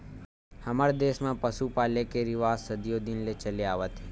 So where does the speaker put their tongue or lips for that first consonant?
throat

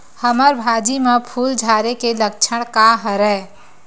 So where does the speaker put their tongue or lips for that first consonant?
throat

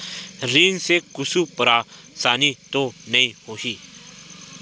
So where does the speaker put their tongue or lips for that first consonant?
tongue tip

